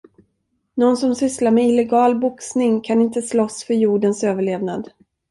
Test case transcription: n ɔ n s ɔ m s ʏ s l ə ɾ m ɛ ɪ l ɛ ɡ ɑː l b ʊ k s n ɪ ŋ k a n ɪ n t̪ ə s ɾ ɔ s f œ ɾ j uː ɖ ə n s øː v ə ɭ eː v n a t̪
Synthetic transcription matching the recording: n ɔ n s ɔ m s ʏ s l a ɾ m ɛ ɪ l ɛ ɡ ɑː l b ʊ k s n ɪ ŋ kʰ a n ɪ n t̪ ə s l ɔ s f œ ɾ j uː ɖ ə n s øː v ə ɭ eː v n a d̪